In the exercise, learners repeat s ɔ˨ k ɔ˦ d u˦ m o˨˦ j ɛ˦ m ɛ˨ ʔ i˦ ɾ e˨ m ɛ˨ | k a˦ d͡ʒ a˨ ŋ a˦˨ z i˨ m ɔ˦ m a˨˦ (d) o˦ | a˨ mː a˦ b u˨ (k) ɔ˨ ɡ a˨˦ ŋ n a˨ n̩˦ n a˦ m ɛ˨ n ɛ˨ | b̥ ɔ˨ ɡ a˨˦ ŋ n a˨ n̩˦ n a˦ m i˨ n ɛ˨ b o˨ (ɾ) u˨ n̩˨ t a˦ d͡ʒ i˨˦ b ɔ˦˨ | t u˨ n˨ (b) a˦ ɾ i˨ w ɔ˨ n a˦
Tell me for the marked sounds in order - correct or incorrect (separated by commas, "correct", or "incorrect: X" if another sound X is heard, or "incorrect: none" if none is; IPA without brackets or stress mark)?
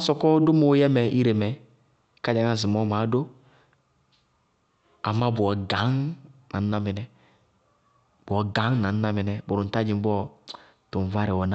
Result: correct, incorrect: none, correct, incorrect: v